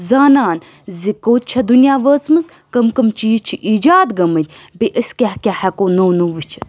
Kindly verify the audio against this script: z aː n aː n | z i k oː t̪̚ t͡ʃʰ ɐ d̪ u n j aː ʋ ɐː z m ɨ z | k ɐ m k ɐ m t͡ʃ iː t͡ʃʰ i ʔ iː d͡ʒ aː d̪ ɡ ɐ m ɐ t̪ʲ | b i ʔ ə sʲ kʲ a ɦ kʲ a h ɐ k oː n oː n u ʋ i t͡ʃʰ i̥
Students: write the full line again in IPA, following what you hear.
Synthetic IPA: z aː n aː n | z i k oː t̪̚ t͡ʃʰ ɐ d̪ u n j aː ʋ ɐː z m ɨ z | k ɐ m k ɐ m t͡ʃ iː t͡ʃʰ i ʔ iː d͡ʒ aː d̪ ɡ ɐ m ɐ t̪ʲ | b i ʔ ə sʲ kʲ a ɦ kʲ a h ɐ k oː n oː n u ʋ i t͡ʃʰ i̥